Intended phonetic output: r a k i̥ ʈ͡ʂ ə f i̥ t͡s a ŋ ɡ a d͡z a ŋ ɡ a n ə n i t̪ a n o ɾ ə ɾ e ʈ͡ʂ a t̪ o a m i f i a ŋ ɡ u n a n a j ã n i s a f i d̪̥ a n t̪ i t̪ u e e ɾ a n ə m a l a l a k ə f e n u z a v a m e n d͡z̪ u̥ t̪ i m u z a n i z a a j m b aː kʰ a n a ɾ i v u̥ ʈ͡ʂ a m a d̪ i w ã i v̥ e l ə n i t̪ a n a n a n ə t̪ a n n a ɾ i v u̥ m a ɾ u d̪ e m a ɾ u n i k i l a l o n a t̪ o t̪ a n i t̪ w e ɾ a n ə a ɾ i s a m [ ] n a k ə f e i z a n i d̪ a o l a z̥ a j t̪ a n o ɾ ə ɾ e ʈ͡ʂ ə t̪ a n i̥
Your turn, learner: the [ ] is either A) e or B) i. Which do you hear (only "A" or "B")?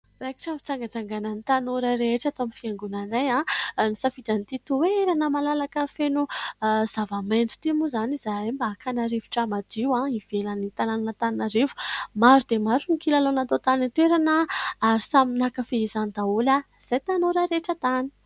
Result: B